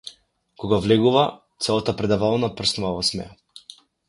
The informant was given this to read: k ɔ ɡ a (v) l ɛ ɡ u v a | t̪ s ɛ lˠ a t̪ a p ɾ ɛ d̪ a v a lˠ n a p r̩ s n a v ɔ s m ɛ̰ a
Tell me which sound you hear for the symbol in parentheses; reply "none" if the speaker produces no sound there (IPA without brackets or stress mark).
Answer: v